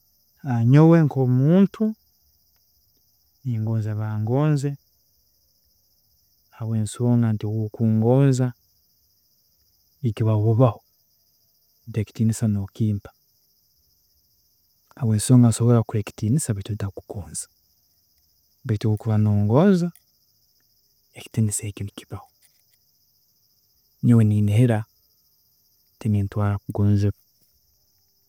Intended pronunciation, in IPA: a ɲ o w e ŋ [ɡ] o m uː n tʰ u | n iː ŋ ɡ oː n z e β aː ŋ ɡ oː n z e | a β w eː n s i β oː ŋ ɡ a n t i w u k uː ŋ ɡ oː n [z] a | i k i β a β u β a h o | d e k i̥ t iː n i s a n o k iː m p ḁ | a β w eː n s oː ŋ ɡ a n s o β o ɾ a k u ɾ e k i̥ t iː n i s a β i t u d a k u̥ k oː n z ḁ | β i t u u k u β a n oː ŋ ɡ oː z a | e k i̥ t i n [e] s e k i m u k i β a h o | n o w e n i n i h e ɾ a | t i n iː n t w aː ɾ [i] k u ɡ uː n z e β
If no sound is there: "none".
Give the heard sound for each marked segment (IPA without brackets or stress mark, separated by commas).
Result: k, z, i, a